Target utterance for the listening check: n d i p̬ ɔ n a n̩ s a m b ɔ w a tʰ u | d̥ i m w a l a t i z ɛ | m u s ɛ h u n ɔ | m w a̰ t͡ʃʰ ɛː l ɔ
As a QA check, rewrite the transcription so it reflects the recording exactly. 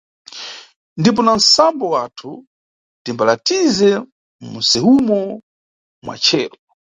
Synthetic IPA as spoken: n d i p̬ ɔ n a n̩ s a m b ɔ w a tʰ u | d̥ i m b a l a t i z ɛ | m u s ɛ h u m ɔ | m w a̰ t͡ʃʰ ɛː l ɔ